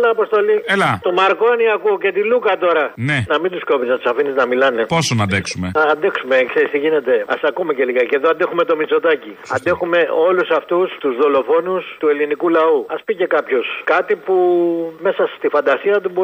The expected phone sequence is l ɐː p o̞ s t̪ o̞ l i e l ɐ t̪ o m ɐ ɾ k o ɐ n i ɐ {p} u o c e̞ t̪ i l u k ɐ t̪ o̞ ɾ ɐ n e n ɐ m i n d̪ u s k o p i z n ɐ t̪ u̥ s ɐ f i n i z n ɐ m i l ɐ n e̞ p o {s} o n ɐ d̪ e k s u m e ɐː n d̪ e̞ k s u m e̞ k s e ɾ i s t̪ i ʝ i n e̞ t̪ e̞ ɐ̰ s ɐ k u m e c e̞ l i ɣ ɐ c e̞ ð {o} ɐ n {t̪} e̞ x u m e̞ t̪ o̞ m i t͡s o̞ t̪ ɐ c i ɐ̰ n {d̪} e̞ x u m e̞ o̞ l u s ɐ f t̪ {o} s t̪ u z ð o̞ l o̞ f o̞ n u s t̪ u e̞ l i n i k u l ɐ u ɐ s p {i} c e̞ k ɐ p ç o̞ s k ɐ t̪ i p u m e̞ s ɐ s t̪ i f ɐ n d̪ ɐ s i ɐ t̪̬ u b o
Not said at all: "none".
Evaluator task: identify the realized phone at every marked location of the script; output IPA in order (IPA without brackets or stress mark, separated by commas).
k, s, o, d̪, d̪, u, i